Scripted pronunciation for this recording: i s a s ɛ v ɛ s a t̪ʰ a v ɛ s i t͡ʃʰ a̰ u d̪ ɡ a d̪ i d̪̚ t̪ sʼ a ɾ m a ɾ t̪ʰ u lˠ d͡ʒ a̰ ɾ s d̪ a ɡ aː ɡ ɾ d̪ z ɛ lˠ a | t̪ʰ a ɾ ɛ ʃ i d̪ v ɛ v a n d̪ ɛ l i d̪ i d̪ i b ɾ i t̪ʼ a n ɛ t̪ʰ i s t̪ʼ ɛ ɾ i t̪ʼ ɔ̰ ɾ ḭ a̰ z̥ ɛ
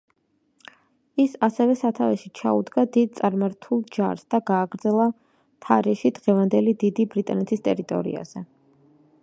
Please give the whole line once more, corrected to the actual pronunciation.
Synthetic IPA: i s a s ɛ v ɛ s a t̪ʰ a v ɛ ʃ i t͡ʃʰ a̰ u d̪ ɡ a d̪ i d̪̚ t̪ sʼ a ɾ m a ɾ t̪ʰ u lˠ d͡ʒ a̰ ɾ s d̪ a ɡ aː ɡ ɾ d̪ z ɛ lˠ a | t̪ʰ a ɾ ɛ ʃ i d̪ ʁ ɛ v a n d̪ ɛ l i d̪ i d̪ i b ɾ i t̪ʼ a n ɛ t̪ʰ i s t̪ʼ ɛ ɾ i t̪ʼ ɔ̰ ɾ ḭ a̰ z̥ ɛ